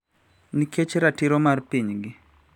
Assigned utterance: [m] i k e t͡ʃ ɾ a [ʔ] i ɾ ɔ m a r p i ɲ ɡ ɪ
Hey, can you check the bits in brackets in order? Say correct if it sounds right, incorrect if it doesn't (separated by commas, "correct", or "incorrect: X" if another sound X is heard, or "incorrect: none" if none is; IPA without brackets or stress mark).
incorrect: n, incorrect: t